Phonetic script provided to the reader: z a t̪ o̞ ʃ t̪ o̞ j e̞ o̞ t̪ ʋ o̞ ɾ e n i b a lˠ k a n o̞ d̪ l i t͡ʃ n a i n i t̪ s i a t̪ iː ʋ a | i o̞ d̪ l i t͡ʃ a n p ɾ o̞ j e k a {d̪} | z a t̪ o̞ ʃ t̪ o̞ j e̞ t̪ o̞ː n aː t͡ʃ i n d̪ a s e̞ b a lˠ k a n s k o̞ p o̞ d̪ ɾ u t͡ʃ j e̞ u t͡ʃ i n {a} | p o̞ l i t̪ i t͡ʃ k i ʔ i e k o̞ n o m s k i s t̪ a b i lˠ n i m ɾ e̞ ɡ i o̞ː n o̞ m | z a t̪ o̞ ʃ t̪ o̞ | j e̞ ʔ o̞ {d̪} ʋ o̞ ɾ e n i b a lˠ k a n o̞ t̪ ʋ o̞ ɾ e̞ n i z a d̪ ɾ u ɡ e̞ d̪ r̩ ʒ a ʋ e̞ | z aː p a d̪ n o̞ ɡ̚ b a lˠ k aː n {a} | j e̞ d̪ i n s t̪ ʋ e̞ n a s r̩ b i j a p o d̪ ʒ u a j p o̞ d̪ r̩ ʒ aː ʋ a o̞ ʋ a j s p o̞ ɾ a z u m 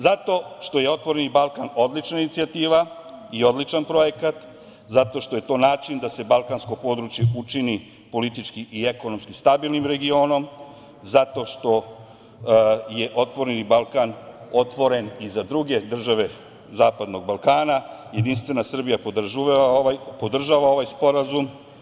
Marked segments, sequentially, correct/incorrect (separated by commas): incorrect, incorrect, incorrect, correct